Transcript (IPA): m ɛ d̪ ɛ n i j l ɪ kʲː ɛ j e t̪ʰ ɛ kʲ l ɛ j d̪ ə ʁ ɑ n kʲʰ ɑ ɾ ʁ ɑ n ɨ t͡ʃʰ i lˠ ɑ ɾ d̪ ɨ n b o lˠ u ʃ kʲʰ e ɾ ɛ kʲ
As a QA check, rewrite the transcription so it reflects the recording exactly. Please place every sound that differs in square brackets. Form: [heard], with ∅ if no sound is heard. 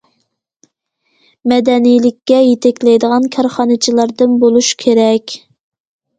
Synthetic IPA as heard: m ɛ d̪ ɛ n i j l ɪ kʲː ɛ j e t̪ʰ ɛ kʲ l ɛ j d̪ ə ʁ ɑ n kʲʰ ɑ ɾ [χ] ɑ n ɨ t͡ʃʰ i lˠ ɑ ɾ d̪ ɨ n b o lˠ u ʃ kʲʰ e ɾ ɛ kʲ